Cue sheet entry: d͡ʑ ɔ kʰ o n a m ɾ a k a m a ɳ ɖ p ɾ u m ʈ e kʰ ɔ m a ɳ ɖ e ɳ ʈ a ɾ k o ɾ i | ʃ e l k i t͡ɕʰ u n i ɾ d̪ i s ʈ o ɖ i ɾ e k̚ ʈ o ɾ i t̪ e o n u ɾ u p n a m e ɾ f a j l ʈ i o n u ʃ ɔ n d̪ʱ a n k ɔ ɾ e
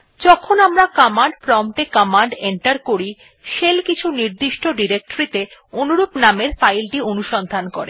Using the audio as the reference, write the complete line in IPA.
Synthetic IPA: d͡ʑ ɔ kʰ o n a m ɾ a k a m a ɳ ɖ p ɾ ɔ m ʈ e k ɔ m a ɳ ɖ e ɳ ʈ a ɾ k o ɾ i | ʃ e l k i t͡ɕʰ u n i ɾ d̪ i ʃ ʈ o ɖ i ɾ e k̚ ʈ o ɾ i t̪ e o n u ɾ u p n a m e ɾ f a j l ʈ i o n u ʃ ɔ n d̪ʱ a n k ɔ ɾ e